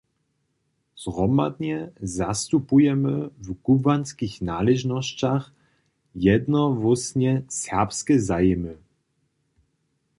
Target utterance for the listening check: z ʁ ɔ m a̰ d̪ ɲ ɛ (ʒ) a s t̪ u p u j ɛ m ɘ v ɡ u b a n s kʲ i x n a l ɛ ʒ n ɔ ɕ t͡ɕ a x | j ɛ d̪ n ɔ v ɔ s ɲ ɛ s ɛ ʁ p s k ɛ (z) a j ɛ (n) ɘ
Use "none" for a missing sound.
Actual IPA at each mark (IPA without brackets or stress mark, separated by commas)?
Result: z, z, m